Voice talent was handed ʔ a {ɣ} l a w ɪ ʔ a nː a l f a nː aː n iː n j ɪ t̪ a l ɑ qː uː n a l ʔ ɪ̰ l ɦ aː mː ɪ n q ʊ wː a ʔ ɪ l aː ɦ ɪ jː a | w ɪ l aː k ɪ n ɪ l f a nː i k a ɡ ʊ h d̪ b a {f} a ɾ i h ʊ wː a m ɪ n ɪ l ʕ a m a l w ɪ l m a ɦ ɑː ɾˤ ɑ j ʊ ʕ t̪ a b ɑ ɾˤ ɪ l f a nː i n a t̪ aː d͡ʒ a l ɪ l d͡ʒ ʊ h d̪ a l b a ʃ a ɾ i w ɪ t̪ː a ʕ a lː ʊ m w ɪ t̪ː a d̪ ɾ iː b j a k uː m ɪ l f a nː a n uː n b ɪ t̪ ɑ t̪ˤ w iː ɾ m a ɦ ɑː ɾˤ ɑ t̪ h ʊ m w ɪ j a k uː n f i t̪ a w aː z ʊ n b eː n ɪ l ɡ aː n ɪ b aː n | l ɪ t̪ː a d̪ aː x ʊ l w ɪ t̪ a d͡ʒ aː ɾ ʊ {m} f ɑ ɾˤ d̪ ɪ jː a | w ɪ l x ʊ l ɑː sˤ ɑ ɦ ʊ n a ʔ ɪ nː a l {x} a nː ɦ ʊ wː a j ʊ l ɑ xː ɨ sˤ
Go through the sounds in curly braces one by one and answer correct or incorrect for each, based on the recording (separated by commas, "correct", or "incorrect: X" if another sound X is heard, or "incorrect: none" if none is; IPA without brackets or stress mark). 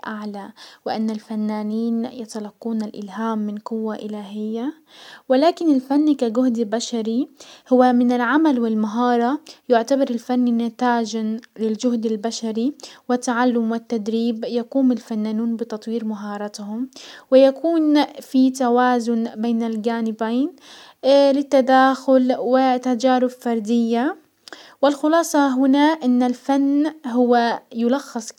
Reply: incorrect: ʕ, incorrect: ʃ, incorrect: b, incorrect: f